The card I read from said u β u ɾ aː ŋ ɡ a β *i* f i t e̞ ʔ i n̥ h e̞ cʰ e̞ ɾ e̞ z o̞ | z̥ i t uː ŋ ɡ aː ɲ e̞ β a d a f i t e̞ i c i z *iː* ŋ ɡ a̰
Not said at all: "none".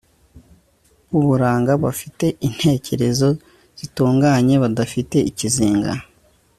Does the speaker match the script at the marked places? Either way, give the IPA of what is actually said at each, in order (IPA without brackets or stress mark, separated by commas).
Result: a, iː